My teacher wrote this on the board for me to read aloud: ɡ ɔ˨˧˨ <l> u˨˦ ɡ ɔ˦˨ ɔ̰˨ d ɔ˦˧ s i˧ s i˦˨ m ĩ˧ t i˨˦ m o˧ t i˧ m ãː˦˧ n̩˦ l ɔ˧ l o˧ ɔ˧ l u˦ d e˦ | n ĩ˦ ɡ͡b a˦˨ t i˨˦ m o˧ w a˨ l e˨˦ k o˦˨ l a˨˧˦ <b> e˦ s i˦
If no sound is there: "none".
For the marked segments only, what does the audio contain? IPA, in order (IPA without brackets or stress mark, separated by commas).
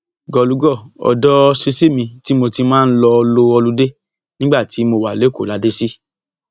l, d